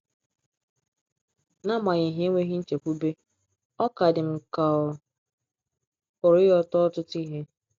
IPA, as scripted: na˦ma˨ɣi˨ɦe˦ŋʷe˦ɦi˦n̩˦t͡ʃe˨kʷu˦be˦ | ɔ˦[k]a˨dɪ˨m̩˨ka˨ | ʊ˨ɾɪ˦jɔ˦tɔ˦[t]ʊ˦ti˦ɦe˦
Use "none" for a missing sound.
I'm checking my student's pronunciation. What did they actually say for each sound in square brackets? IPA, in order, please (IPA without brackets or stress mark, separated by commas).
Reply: k, t